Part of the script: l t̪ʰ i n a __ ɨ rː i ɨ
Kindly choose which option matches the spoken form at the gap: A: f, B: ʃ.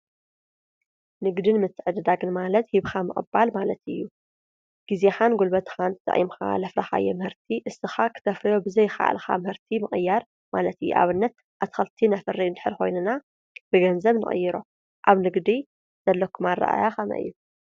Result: A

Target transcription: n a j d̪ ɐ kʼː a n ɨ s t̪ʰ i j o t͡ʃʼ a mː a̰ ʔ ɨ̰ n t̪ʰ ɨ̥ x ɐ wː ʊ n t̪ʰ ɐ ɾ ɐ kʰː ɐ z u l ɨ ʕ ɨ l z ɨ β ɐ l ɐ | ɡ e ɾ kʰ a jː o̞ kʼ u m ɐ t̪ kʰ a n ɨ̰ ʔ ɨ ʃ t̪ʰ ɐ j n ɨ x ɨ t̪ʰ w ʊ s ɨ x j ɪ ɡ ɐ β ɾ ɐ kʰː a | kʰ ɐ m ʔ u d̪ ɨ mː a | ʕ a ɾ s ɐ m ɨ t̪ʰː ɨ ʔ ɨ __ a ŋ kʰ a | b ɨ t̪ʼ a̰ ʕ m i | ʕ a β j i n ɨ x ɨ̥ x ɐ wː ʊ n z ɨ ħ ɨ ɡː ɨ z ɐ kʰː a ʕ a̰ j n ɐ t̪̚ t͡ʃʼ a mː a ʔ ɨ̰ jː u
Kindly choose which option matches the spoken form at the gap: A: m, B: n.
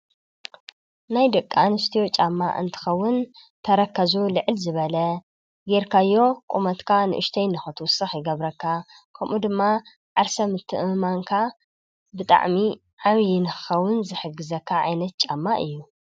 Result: A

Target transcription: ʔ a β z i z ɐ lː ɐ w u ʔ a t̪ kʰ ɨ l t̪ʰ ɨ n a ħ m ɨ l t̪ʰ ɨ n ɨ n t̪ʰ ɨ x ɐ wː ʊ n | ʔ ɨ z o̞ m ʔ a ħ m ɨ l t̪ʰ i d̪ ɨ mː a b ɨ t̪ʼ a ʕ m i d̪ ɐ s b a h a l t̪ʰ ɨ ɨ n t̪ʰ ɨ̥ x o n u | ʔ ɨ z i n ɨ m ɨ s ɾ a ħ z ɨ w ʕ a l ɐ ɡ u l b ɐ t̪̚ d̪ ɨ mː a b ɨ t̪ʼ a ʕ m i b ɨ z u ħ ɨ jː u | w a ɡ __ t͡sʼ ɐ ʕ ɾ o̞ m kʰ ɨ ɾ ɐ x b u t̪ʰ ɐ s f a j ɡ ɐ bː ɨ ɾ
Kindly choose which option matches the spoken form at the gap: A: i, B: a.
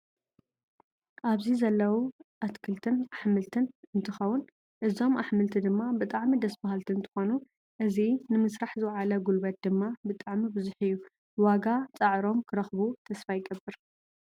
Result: B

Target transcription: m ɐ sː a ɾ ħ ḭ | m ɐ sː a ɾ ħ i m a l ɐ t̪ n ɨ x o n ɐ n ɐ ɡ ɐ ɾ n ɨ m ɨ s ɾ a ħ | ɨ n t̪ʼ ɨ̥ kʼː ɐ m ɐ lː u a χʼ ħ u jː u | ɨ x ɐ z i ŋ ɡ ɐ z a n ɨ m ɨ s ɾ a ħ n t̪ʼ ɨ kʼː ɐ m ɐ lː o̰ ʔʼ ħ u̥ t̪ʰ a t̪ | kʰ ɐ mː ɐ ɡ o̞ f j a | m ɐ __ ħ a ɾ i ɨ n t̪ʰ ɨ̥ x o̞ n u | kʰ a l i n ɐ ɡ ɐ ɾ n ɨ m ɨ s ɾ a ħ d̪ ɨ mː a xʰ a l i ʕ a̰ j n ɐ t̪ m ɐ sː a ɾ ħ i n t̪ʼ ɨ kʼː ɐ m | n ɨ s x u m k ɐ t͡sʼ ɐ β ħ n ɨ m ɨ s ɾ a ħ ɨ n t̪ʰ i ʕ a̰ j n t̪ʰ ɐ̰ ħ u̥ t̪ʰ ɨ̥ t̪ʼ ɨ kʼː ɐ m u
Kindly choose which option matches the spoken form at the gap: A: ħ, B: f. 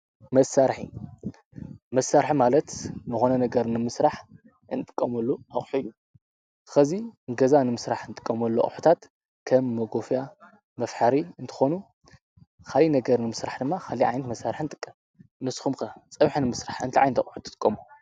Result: B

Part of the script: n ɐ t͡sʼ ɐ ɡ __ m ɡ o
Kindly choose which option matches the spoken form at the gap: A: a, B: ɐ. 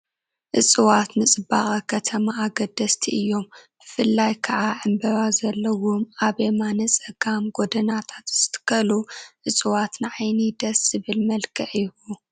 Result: A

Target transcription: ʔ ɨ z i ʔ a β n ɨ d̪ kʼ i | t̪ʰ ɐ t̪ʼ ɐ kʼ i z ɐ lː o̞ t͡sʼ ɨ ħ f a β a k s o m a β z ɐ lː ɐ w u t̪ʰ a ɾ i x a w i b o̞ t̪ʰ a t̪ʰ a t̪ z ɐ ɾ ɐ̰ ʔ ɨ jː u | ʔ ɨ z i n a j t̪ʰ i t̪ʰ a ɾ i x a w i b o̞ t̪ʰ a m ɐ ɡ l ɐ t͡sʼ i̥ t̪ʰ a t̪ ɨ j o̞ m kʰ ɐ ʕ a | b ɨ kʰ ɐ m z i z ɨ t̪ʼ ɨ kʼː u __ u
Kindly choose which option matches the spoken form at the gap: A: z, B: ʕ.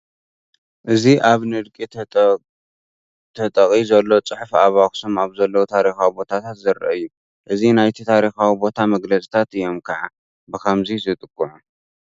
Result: B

